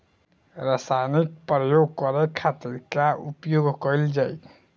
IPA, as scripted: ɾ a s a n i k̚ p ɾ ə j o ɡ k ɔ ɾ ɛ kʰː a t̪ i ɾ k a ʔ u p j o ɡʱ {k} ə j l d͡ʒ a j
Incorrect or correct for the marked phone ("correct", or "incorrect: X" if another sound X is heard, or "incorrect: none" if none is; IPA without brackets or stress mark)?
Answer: correct